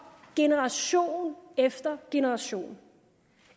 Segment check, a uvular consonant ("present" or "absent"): present